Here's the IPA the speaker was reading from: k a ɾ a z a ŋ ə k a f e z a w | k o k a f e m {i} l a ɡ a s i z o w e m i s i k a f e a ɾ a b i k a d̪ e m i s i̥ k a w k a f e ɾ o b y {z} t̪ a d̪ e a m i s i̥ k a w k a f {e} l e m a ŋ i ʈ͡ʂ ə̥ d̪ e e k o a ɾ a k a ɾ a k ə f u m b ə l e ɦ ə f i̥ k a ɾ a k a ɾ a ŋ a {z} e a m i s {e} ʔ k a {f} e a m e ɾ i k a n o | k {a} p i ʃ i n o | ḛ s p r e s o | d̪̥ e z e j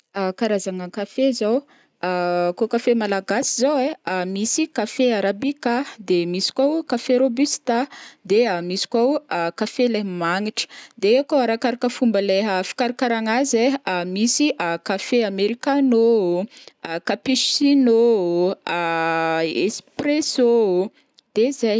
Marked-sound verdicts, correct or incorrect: incorrect: a, incorrect: s, correct, correct, incorrect: i, correct, correct

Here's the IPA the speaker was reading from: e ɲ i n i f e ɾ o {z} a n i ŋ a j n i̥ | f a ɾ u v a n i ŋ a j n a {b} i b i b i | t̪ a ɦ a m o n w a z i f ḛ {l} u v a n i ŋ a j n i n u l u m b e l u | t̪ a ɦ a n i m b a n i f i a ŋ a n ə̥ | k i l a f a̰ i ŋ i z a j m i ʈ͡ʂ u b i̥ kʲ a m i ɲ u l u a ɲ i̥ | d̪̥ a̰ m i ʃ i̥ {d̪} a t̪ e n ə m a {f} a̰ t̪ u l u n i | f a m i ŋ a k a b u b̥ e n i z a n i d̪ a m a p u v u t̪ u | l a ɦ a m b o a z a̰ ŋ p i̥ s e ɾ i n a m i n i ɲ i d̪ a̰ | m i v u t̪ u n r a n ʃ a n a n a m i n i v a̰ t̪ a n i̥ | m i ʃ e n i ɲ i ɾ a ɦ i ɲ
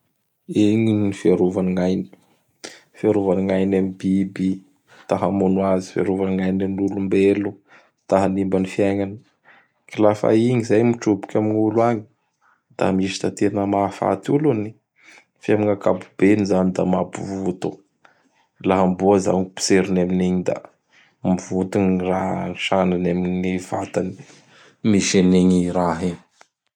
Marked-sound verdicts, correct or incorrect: incorrect: v, incorrect: m, incorrect: ɾ, incorrect: t̪, correct

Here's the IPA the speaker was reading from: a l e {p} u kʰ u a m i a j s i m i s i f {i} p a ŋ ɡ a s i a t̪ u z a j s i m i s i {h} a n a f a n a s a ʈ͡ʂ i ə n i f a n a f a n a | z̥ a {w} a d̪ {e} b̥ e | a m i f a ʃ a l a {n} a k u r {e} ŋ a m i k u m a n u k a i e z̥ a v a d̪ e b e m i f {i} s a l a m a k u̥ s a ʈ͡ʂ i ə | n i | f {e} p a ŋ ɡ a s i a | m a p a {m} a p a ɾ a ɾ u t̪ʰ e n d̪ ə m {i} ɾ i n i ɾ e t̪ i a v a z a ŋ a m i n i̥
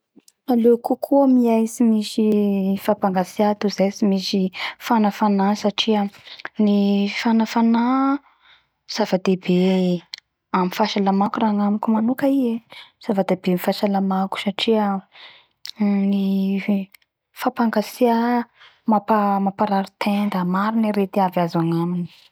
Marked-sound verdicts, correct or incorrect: incorrect: k, incorrect: a, incorrect: f, incorrect: v, correct, incorrect: m, incorrect: a, incorrect: a, incorrect: a, correct, incorrect: a

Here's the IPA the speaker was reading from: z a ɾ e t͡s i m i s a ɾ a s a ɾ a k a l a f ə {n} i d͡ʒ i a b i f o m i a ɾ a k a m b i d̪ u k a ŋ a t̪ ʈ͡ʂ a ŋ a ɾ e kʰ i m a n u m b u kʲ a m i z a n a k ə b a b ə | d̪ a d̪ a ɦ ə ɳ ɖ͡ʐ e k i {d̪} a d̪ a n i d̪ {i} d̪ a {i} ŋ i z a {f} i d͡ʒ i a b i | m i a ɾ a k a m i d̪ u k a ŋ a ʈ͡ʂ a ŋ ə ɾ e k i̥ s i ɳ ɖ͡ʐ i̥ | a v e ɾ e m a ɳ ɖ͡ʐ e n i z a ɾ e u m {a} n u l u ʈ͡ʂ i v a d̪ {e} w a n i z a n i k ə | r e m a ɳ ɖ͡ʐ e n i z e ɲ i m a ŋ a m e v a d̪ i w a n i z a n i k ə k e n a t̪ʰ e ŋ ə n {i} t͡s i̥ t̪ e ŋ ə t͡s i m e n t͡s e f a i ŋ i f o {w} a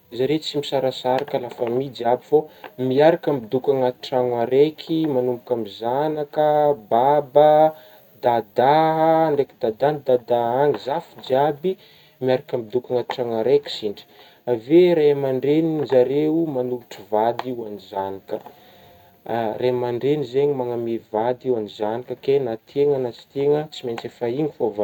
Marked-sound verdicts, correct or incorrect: incorrect: m, correct, incorrect: a, incorrect: a, correct, correct, incorrect: i, incorrect: a, incorrect: v

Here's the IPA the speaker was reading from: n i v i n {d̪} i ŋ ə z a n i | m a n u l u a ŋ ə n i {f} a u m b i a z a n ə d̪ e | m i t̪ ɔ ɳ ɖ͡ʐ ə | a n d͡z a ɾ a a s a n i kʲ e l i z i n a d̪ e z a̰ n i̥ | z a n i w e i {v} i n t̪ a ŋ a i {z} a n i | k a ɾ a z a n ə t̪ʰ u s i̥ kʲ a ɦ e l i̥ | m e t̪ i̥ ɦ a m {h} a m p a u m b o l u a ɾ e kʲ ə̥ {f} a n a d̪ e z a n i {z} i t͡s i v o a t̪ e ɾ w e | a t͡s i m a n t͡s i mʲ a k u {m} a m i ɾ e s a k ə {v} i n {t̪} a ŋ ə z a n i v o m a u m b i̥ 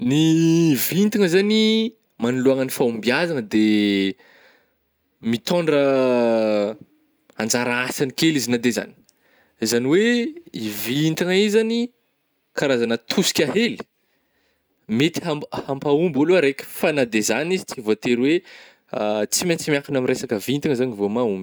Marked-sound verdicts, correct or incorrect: incorrect: t̪, correct, correct, correct, correct, correct, correct, incorrect: n, correct, correct

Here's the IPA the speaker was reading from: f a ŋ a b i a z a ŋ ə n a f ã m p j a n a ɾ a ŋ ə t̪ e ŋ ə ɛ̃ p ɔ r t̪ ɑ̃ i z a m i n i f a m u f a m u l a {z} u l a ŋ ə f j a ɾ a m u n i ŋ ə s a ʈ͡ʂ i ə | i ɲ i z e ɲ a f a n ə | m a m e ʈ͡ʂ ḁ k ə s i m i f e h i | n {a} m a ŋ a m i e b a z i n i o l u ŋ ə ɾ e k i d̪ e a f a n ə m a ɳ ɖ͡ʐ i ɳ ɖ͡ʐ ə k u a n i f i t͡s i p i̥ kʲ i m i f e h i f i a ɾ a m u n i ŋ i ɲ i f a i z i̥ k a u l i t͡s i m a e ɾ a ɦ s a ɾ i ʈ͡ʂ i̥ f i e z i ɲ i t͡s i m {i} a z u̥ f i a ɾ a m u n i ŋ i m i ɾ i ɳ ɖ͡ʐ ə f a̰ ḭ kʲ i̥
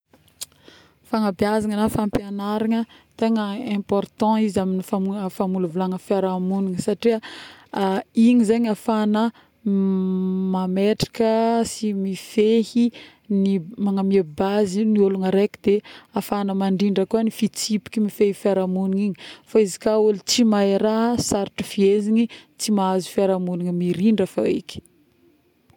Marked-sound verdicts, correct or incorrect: incorrect: v, incorrect: i, incorrect: a

